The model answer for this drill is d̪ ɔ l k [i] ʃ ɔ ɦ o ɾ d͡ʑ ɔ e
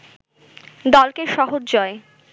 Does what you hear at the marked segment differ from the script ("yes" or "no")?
yes